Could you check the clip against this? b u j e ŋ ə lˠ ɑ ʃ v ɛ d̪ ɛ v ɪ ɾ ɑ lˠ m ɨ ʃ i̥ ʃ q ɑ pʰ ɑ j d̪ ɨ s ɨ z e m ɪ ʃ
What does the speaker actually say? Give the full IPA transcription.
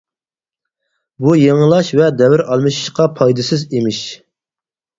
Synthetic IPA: b u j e ŋ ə lˠ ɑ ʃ v ɛ d̪ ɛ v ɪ ɾ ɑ lˠ m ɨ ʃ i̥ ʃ q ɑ pʰ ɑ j d̪ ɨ s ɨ z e m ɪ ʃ